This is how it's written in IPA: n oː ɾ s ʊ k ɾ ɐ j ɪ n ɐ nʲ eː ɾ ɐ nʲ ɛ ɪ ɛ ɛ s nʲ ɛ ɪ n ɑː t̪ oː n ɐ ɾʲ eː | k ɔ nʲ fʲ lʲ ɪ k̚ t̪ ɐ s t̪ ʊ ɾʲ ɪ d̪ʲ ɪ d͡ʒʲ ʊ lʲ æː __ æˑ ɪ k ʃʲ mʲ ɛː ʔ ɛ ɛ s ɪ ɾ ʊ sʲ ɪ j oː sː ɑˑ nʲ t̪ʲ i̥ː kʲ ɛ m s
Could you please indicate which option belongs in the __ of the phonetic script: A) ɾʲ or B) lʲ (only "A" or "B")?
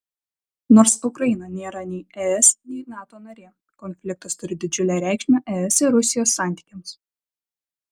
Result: A